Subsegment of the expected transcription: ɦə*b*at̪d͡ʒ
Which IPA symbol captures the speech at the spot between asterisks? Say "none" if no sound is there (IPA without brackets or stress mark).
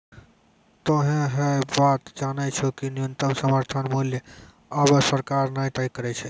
b